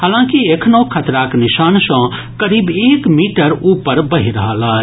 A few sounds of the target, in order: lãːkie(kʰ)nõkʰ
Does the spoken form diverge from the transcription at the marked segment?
no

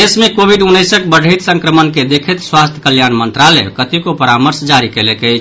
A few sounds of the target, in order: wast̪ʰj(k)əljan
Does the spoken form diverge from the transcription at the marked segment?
no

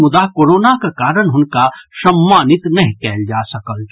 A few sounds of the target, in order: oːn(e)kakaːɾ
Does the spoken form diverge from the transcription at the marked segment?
yes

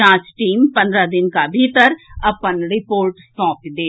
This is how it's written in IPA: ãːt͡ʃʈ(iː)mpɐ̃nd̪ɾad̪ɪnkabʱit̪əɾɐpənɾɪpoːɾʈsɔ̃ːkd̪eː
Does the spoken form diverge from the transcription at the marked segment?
no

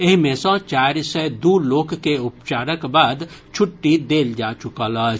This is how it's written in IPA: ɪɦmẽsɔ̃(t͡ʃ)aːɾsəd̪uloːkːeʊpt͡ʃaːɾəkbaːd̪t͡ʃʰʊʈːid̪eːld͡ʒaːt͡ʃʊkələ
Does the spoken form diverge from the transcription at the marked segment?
no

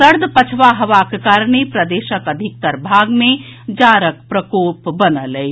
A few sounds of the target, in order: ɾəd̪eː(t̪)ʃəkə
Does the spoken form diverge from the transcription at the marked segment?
yes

